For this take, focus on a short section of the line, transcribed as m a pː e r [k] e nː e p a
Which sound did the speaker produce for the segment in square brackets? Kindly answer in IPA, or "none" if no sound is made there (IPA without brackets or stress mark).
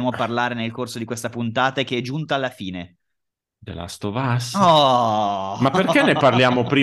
k